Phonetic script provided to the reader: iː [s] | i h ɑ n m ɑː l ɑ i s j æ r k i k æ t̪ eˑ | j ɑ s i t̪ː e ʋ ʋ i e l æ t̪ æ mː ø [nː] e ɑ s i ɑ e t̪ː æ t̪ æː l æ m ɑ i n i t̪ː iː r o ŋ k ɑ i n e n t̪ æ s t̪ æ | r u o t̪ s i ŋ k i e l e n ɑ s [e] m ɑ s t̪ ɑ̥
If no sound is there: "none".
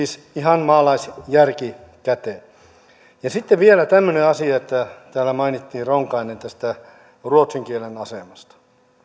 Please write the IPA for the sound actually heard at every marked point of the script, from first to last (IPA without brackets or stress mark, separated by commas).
s, n, e